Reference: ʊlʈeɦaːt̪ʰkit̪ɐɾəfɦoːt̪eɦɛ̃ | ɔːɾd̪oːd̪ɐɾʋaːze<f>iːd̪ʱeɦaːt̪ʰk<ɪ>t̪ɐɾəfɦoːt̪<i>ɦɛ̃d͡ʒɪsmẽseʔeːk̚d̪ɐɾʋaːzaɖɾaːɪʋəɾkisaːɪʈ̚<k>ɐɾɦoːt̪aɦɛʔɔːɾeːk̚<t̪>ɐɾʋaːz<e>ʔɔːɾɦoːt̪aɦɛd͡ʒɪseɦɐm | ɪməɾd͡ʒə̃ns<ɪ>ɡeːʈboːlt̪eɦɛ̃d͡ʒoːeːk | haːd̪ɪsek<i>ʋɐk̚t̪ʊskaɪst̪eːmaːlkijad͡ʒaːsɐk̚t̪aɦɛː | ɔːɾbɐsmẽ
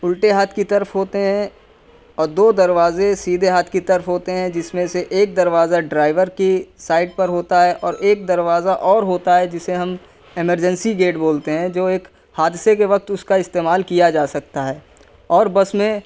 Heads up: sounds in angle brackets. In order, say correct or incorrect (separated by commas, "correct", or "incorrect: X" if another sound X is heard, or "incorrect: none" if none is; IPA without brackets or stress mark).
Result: incorrect: s, incorrect: i, incorrect: e, incorrect: p, incorrect: d̪, incorrect: a, incorrect: i, incorrect: e